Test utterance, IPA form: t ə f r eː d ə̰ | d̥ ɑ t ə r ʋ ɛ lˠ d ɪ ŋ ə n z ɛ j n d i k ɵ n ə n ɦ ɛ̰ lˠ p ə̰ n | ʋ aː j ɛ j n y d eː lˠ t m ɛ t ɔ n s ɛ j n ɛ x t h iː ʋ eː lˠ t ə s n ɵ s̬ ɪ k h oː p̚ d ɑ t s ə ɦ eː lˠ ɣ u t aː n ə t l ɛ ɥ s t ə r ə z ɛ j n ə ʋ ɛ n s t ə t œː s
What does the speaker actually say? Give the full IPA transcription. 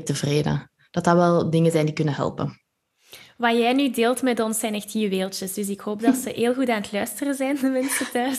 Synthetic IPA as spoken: t ə v r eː d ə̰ | d̥ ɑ t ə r ʋ ɛ lˠ d ɪ ŋ ə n z ɛ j n d i k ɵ n ə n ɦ ɛ̰ lˠ p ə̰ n | ʋ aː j ɛ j n y d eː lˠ t m ɛ t ɔ n s ɛ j n ɛ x t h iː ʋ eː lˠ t ə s d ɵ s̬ ɪ k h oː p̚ d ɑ t s ə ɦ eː lˠ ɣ u t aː n ə t l œ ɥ s t ə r ə z ɛ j n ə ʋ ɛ n s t ə t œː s